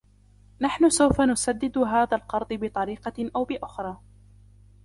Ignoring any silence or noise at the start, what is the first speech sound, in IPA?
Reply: n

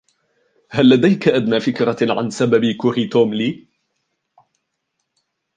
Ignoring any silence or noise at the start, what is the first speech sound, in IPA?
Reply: h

